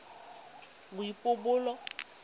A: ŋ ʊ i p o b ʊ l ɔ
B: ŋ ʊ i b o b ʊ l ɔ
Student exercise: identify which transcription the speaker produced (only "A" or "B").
A